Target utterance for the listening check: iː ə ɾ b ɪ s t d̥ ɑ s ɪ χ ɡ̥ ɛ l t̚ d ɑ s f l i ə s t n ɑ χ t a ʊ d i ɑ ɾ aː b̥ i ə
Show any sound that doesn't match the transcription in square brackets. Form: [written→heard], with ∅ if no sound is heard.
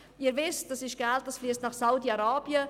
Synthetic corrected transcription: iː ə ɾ [b→v] ɪ s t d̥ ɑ s ɪ [χ→ʃ] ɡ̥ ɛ l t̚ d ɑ s f l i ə s t n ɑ χ [t→s] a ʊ d i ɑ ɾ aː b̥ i ə